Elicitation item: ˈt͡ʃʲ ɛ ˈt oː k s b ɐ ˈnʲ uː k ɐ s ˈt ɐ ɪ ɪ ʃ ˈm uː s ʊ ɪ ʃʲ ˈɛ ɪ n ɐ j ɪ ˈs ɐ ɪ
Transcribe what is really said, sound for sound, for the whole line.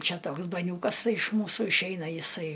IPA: ˈt͡ʃʲ ɛ ˈt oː k s b ɐ ˈnʲ uː k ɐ s ˈt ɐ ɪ ɪ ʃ ˈm uː s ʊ ɪ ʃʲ ˈɛ ɪ n ɐ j ɪ ˈs ɐ ɪ